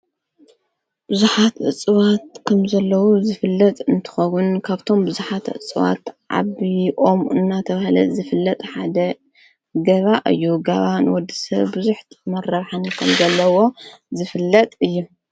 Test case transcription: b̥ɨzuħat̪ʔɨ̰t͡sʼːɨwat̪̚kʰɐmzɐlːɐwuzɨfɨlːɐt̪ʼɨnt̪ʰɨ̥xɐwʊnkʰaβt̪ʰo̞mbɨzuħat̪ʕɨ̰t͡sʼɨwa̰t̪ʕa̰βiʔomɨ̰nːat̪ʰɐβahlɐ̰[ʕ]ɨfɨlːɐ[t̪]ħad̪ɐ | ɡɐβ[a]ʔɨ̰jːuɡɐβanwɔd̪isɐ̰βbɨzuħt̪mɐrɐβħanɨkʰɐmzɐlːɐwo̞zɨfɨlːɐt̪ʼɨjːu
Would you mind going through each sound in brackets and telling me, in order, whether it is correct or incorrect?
incorrect: z, incorrect: t̪ʼ, correct

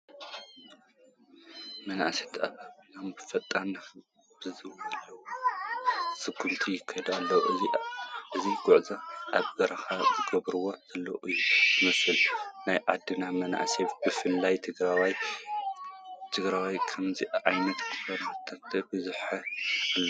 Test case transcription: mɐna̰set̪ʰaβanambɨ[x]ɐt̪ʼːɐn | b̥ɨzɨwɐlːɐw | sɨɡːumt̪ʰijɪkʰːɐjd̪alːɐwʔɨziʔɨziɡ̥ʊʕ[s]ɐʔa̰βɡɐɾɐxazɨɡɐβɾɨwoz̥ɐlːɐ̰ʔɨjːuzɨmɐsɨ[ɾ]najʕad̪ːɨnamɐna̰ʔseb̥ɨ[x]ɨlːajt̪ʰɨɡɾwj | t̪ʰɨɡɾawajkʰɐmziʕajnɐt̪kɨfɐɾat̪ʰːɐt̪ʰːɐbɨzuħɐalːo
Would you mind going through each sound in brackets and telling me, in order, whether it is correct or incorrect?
incorrect: f, incorrect: z, incorrect: l, incorrect: f

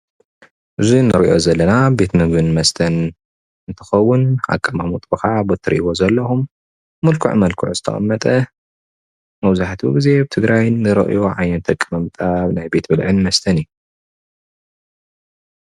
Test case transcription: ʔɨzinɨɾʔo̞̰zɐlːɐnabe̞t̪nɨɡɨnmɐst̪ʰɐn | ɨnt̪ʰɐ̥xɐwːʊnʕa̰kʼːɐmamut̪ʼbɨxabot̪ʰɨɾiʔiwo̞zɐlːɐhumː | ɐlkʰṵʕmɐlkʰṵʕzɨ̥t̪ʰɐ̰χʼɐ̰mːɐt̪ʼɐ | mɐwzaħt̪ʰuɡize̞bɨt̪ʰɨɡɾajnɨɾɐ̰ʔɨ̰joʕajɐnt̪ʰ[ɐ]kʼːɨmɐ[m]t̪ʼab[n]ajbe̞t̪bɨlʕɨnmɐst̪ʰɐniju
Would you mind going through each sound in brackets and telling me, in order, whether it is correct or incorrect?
correct, correct, correct

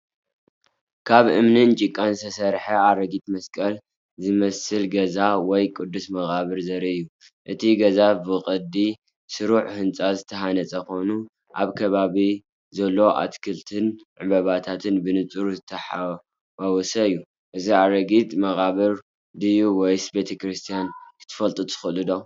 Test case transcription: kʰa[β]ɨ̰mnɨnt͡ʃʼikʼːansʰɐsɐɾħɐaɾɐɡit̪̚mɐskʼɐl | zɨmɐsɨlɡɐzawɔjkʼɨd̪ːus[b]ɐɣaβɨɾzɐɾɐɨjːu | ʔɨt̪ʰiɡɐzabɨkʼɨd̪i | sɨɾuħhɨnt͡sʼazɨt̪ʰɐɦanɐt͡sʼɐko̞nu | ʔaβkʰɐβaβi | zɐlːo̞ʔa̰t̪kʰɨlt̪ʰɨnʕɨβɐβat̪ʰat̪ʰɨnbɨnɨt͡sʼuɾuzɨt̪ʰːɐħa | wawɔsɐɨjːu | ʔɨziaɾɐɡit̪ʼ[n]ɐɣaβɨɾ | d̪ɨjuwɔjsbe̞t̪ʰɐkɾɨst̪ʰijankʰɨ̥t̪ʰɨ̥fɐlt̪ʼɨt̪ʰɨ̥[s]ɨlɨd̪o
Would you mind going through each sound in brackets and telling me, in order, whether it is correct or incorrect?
correct, incorrect: m, incorrect: m, incorrect: x

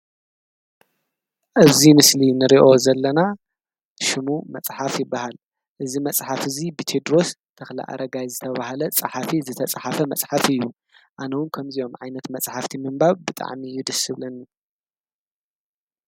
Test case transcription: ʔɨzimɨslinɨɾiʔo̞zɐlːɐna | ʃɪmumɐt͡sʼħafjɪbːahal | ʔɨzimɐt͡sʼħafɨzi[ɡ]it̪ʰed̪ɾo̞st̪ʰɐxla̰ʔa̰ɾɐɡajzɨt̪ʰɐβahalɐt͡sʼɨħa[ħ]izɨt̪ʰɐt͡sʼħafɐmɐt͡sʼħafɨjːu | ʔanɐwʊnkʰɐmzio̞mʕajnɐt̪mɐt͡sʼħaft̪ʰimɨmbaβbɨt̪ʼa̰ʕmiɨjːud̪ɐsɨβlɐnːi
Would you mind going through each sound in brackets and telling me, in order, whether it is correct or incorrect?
incorrect: b, incorrect: f

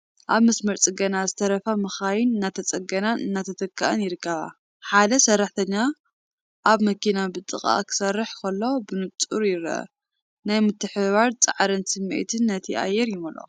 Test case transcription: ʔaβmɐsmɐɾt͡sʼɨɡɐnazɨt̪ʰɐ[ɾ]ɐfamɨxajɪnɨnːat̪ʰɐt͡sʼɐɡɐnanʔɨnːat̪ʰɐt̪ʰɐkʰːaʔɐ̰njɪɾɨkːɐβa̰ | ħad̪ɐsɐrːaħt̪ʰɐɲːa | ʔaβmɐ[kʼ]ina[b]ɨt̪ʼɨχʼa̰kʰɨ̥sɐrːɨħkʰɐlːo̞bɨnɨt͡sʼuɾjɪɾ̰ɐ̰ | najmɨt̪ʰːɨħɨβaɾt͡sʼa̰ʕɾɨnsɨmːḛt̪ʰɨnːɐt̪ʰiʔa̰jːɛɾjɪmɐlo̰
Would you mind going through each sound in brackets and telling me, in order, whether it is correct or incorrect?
correct, incorrect: k, correct

